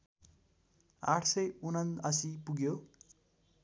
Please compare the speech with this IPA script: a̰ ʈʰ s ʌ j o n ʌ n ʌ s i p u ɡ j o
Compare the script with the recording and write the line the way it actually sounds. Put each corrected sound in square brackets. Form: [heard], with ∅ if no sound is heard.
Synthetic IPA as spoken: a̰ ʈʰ s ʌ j [u] n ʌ n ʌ s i p u ɡ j o